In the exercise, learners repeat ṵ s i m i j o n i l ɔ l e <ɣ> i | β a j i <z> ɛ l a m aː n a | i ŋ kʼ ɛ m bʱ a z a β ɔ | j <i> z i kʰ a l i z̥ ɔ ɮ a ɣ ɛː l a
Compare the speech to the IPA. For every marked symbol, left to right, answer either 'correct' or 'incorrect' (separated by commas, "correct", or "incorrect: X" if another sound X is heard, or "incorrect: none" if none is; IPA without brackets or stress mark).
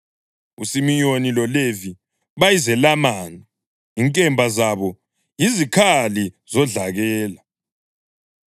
incorrect: v, correct, correct